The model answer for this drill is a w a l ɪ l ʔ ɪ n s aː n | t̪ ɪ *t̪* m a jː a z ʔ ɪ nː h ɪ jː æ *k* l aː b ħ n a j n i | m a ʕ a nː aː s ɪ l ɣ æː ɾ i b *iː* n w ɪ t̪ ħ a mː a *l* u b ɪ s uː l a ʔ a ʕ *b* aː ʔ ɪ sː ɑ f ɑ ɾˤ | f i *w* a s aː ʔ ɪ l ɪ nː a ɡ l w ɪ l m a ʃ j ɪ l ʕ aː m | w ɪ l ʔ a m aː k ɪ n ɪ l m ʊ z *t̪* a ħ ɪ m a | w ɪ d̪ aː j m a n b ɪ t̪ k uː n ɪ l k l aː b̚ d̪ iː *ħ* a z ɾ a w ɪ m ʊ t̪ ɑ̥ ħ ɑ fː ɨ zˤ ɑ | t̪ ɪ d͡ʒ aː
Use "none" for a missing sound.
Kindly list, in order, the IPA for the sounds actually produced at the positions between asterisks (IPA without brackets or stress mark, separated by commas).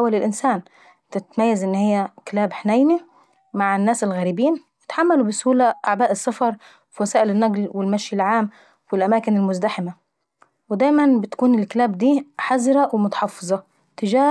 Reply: t̪, k, iː, l, b, w, d̪, ħ